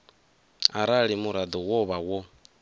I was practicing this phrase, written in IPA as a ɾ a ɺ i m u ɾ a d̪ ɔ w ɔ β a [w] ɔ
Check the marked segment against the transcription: correct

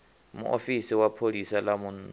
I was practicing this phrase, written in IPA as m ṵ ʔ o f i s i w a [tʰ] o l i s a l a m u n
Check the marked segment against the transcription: incorrect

